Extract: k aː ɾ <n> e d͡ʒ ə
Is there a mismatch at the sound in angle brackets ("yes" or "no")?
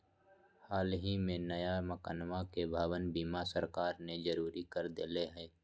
no